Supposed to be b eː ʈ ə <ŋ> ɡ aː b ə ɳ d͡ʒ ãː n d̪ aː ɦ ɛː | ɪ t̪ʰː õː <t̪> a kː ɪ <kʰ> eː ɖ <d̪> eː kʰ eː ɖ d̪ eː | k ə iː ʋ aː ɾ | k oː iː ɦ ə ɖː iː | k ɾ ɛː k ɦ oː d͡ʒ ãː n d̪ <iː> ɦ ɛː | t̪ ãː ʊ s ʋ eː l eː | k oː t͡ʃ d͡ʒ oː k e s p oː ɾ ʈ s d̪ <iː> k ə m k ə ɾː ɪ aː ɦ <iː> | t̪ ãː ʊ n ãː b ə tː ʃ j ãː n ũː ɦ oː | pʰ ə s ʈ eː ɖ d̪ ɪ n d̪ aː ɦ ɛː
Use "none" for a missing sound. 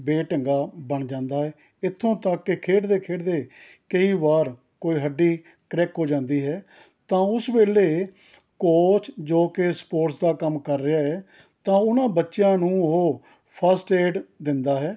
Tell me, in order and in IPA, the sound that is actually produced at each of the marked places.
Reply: ŋ, t̪, kʰ, d̪, iː, aː, ɛː

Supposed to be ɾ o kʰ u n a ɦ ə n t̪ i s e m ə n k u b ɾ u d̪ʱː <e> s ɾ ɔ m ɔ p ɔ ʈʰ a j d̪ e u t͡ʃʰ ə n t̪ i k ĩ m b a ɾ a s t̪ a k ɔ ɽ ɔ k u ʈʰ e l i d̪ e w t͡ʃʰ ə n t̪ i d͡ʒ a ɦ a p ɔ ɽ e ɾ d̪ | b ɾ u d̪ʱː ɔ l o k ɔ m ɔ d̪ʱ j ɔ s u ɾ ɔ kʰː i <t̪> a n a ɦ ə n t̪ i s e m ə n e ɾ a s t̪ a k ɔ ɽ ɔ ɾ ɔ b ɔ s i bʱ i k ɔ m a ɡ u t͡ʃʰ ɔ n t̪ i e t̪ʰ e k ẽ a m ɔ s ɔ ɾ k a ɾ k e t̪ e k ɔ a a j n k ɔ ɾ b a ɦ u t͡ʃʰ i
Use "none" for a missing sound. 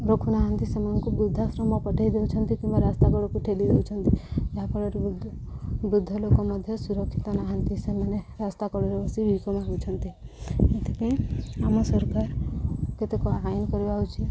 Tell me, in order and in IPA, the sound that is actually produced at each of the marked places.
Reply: a, t̪

